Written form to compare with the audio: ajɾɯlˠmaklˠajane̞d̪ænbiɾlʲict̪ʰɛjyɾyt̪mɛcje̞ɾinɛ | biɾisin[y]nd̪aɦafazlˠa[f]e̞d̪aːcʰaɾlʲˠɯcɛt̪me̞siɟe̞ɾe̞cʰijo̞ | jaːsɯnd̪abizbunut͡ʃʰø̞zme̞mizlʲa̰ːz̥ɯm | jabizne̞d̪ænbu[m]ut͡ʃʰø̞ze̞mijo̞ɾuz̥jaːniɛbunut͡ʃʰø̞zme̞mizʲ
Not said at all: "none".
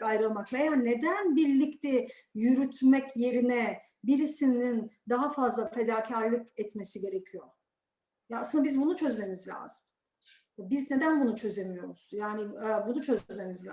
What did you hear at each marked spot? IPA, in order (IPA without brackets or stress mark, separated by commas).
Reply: i, f, n